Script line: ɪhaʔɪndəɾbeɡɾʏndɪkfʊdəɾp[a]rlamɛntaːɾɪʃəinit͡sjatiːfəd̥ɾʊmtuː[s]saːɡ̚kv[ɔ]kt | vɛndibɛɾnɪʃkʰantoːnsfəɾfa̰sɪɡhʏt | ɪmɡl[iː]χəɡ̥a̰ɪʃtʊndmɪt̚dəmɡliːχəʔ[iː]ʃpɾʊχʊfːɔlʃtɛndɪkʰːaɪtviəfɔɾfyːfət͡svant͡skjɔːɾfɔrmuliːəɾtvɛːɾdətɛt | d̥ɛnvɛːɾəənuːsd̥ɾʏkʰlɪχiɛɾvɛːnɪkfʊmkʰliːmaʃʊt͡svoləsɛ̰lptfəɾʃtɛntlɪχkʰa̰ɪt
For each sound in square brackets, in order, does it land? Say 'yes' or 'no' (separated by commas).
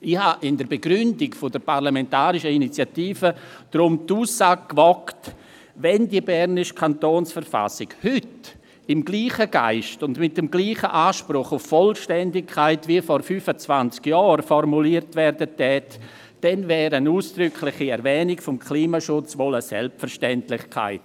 yes, yes, yes, yes, no